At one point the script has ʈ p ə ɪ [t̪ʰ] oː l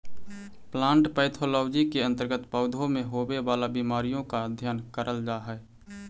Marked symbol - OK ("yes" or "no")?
yes